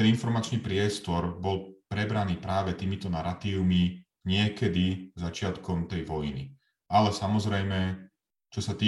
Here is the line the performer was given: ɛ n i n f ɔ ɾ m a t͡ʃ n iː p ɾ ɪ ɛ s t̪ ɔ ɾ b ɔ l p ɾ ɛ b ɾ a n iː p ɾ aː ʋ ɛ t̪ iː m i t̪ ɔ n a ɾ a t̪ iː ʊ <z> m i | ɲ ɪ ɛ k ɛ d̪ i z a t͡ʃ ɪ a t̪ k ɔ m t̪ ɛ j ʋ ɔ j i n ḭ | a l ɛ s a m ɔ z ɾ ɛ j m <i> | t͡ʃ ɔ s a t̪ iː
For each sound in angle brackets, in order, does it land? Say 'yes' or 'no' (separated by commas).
no, no